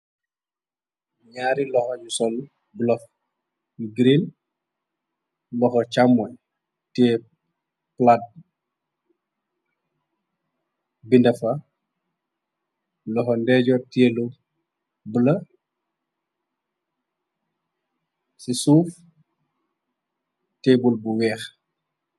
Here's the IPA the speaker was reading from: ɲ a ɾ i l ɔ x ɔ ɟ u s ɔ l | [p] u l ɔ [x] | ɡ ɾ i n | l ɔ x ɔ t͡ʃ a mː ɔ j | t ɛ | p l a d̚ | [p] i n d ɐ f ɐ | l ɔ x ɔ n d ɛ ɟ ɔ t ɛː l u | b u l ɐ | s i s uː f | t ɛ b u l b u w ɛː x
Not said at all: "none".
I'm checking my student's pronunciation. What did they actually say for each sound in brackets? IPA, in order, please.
b, f, b

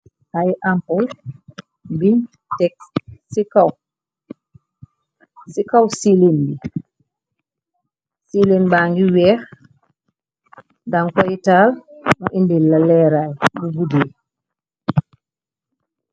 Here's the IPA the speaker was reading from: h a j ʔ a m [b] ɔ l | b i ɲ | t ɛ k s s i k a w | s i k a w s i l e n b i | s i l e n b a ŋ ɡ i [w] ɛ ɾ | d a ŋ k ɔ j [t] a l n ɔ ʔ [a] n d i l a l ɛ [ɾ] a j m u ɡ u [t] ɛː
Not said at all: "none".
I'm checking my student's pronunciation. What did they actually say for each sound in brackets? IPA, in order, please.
p, w, t, i, ɾ, d

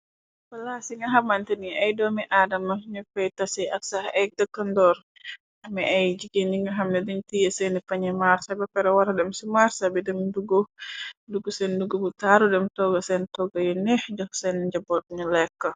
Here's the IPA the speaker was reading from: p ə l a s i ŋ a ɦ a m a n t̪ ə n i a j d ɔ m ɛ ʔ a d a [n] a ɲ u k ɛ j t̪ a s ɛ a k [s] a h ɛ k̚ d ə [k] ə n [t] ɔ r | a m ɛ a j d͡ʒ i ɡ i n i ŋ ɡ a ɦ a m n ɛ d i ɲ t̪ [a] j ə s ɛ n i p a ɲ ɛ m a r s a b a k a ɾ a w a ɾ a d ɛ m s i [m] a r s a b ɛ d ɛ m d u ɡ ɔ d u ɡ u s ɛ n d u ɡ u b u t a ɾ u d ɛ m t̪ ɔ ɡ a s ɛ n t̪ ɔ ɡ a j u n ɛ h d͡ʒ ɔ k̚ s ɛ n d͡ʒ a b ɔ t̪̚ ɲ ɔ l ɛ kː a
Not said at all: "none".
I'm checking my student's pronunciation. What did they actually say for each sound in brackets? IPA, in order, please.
m, s, k, d, i, m

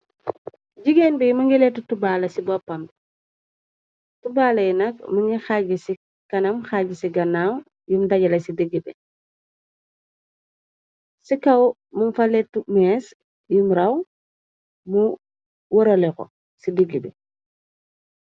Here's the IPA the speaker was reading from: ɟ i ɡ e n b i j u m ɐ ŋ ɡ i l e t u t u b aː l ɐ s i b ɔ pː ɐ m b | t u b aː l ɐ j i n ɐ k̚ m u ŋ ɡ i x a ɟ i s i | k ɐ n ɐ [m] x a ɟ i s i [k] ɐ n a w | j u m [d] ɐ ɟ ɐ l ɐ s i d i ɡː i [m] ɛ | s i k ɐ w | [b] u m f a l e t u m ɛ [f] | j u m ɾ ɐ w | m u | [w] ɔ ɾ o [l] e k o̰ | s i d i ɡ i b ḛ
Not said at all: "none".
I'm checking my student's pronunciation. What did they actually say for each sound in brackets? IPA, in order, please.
m, ɡ, d, b, m, s, w, l

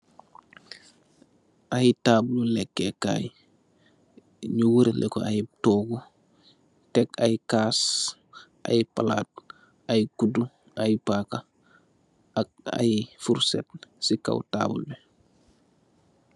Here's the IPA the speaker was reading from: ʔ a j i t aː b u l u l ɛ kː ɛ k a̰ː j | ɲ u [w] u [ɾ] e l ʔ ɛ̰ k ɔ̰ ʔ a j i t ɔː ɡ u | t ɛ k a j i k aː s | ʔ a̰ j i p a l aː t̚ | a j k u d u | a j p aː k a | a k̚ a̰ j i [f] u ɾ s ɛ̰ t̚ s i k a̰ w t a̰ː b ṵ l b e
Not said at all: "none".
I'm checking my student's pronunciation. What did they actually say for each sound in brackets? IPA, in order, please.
w, ɾ, f

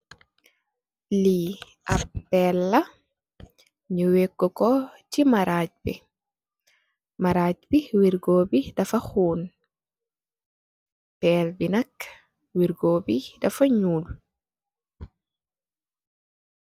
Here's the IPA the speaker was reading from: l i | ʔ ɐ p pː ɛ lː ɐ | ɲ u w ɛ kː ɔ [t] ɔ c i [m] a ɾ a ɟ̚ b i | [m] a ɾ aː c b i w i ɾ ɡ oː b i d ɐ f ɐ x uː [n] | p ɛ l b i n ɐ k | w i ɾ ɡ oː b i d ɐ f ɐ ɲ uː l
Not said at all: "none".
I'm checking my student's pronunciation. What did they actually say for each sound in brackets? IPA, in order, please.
k, m, m, n

